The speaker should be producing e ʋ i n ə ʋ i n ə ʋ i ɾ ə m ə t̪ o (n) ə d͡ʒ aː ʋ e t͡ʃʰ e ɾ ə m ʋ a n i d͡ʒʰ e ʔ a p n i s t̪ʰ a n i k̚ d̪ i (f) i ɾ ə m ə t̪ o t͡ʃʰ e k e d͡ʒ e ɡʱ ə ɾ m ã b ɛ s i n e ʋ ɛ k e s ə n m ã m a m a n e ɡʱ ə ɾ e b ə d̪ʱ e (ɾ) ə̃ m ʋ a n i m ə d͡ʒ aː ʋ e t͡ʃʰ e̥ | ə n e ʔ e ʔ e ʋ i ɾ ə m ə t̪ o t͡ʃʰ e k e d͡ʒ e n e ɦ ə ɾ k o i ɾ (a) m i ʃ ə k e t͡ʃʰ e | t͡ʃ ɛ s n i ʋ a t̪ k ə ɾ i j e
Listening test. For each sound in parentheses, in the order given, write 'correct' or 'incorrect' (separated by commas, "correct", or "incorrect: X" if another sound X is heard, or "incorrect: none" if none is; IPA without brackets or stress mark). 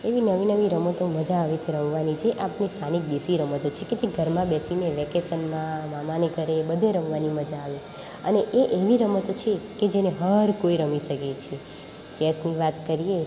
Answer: incorrect: m, incorrect: s, correct, incorrect: ə